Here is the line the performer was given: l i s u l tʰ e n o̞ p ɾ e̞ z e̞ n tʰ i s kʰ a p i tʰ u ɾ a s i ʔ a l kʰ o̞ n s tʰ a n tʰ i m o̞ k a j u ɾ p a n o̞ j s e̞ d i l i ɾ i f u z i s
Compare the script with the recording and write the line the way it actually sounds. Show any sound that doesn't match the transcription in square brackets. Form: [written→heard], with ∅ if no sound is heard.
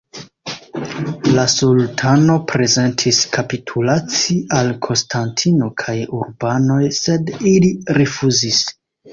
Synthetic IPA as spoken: l [i→a] s u l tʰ [e→a] n o̞ p ɾ e̞ z e̞ n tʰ i s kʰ a p i tʰ u [ɾ→l] a [s→t͡s] i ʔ a l kʰ o̞ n s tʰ a n tʰ i [m→n] o̞ [k→kʰ] a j u ɾ [p→b] a n o̞ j s e̞ d i l i ɾ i f u z i s